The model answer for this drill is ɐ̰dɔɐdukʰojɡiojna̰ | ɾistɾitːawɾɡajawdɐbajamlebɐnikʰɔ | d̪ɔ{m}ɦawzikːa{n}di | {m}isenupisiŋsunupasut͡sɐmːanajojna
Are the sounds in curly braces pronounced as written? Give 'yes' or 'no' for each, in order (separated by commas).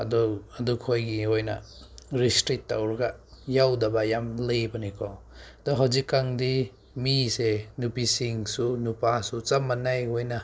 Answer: no, no, yes